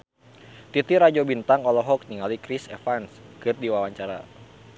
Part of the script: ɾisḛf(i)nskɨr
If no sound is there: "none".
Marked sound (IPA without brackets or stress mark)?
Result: a